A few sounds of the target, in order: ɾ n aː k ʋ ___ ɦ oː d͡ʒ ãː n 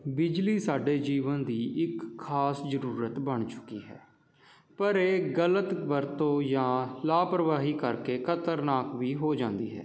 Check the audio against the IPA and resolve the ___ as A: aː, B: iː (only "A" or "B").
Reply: B